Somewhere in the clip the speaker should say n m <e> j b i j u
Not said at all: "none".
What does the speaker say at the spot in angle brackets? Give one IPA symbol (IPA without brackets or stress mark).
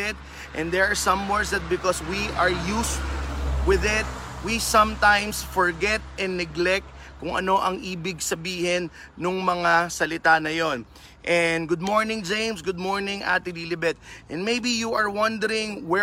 e